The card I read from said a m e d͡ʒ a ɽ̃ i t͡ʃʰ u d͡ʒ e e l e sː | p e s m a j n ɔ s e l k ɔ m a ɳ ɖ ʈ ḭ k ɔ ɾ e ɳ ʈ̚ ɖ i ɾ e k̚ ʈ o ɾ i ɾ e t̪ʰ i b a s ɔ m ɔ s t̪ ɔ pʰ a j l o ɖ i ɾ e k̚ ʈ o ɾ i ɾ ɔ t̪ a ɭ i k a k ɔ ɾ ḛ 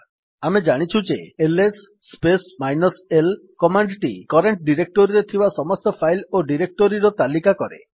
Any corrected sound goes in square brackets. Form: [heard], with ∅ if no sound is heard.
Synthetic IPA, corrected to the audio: a m e d͡ʒ a ɽ̃ i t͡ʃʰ u d͡ʒ e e l e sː | p e s m a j n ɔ s e l k ɔ m a ɳ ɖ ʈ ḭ k ɔ ɾ e ɳ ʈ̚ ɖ i ɾ e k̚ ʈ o ɾ i ɾ e t̪ʰ i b a s ɔ m ɔ s t̪ ɔ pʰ a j l o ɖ i ɾ e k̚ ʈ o ɾ i ɾ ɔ t̪ a [l] i k a k ɔ ɾ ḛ